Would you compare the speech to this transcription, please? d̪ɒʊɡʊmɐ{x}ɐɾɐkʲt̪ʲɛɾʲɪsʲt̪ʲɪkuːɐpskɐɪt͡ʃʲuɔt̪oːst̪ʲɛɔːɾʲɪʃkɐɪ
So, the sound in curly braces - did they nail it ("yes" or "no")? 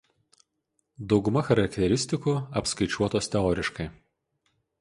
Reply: yes